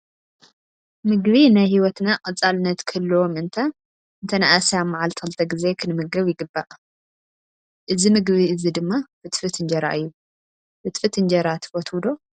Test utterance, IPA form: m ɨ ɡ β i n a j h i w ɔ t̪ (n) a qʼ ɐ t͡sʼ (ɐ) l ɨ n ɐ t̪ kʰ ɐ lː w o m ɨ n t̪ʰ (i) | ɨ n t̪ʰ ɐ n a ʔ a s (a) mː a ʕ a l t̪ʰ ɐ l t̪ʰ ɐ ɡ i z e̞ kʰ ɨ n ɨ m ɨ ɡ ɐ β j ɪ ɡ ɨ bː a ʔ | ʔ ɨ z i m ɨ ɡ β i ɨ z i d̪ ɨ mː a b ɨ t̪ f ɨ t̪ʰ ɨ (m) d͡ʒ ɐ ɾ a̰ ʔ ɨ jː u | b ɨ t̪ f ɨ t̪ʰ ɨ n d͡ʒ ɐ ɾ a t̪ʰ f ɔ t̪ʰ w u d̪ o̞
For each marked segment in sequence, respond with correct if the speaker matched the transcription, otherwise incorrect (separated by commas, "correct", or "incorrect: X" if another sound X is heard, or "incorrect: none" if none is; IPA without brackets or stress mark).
correct, incorrect: a, incorrect: a, correct, incorrect: n